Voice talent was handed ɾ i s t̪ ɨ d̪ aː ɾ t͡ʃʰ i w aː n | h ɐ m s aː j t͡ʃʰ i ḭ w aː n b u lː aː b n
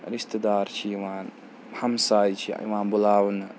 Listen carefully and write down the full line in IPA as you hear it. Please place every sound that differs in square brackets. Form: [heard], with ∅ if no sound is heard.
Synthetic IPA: ɾ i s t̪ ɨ d̪ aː ɾ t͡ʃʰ i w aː n | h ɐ m s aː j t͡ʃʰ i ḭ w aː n b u [l] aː [w] n